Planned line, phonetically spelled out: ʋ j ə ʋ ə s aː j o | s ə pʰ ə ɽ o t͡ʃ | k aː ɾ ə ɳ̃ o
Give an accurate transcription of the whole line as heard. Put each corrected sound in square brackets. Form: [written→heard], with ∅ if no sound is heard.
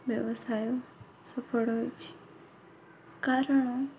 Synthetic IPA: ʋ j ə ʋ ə s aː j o | s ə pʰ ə ɽ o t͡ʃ | k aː ɾ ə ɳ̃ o